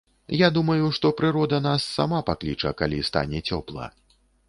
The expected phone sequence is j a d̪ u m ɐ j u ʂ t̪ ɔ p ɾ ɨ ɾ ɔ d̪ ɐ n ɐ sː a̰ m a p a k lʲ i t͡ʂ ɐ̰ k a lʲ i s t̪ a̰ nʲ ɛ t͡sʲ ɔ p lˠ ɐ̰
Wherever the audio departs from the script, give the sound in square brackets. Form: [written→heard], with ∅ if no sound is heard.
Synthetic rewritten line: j a d̪ u m ɐ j u ʂ t̪ ɔ p ɾ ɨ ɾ ɔ d̪ ɐ n [ɐ→a] sː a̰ m a p a k lʲ i t͡ʂ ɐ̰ k a lʲ i s t̪ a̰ nʲ ɛ t͡sʲ ɔ p lˠ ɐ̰